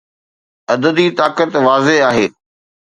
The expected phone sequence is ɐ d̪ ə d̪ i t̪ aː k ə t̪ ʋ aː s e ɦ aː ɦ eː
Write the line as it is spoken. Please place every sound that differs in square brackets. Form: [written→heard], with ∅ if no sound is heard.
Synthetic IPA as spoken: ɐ d̪ ə d̪ i t̪ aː k ə t̪ ʋ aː [s→z] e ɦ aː ɦ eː